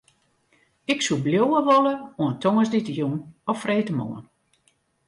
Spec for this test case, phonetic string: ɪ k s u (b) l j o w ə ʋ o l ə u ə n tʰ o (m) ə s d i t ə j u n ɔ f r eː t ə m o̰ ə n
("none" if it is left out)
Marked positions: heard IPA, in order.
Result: b, ŋ

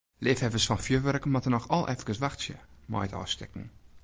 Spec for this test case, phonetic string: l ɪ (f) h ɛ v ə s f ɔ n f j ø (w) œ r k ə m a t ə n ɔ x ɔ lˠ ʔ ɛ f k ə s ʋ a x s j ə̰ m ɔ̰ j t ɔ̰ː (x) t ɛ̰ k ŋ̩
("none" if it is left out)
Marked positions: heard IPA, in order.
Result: f, ʋ, s

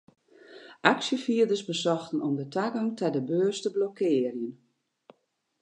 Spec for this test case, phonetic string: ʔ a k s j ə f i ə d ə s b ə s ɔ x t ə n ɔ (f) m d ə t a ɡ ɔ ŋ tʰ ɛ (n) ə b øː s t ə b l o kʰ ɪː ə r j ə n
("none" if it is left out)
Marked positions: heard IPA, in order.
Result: none, d

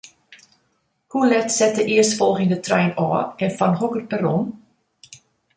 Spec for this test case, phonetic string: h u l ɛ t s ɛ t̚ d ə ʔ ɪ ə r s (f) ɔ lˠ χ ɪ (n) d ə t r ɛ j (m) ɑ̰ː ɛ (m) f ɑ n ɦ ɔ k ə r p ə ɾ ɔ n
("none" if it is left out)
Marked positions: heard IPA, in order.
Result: f, ŋ, n, n

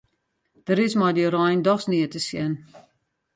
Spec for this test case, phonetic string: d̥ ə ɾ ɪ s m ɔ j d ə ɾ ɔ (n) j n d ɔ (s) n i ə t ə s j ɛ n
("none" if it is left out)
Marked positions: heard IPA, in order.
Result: none, s

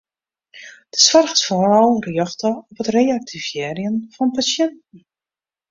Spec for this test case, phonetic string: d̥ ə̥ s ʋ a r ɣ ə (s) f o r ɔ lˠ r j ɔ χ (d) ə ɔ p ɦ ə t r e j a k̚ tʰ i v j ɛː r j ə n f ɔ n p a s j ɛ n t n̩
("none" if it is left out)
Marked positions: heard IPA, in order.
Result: s, t

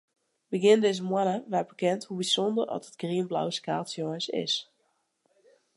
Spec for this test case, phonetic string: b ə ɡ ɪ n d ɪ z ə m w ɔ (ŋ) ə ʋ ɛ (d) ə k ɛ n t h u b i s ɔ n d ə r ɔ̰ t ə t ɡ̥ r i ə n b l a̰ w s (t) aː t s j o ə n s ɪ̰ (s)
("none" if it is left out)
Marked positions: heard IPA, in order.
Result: n, b, k, s

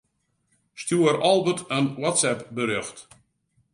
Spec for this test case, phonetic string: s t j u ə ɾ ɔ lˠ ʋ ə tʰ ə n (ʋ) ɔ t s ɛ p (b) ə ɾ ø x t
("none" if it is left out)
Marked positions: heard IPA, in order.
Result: w, b

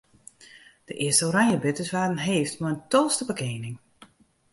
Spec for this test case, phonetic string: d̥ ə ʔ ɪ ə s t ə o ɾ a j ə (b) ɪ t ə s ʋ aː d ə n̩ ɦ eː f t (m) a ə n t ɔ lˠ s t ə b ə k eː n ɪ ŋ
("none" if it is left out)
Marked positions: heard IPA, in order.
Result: b, m

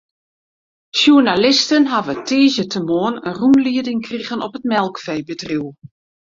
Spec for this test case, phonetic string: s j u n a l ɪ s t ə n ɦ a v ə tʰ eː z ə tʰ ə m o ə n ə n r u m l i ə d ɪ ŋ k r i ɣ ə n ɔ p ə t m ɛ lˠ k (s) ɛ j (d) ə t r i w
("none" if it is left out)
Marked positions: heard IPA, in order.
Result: f, b

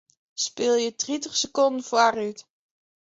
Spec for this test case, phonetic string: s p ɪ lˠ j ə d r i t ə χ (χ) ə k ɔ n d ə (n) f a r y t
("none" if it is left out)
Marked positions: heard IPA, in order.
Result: s, n

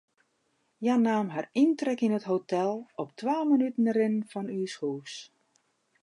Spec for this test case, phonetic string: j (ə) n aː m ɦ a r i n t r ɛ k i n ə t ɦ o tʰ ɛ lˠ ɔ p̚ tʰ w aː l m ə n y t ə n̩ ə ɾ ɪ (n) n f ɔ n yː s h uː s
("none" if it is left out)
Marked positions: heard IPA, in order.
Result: a, n

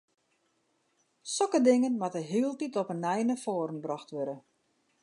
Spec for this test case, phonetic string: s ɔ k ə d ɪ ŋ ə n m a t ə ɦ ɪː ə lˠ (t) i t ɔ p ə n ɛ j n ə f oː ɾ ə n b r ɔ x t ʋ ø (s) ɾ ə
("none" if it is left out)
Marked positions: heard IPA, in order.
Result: t, none

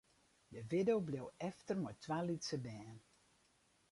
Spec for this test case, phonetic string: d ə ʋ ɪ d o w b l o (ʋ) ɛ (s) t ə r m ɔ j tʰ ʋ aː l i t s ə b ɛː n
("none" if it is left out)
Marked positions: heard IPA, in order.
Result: w, f

